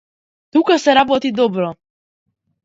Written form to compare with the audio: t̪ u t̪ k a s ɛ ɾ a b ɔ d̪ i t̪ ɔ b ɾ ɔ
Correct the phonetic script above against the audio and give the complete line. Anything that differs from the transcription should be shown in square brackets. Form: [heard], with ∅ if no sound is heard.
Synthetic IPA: t̪ u [∅] k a s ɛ ɾ a b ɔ [t̪] i [d̪] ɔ b ɾ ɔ